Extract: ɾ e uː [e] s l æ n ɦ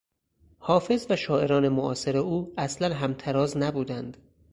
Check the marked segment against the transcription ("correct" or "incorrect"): incorrect